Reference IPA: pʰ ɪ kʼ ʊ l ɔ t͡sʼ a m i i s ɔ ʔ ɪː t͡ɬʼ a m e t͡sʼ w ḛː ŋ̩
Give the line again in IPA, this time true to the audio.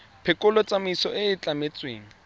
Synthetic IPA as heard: pʰ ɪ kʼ ʊ l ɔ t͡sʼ a m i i s ɔ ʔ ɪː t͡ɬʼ a m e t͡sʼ w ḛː ŋ̩